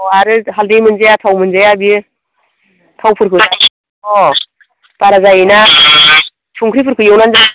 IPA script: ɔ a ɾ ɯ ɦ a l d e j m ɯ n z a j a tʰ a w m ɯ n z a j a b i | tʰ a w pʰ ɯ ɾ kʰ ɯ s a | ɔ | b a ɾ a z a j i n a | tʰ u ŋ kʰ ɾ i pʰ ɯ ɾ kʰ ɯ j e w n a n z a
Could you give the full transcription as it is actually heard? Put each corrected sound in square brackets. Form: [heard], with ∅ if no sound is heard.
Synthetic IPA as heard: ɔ a ɾ ɯ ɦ a l d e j m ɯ n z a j a tʰ a w m ɯ n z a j a b i | tʰ a w pʰ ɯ ɾ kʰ ɯ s a | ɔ | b a ɾ a z a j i n a | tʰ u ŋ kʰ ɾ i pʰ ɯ ɾ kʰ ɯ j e w n a n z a